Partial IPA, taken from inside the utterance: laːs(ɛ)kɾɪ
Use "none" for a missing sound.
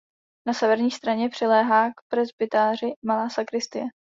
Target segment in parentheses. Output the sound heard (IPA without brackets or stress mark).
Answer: a